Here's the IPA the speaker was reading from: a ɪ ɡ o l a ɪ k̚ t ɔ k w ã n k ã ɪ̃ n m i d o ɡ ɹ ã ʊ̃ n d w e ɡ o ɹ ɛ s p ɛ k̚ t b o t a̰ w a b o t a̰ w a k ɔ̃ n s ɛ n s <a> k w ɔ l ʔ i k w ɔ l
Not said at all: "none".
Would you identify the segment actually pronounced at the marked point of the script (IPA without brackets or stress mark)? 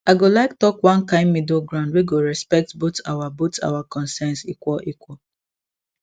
i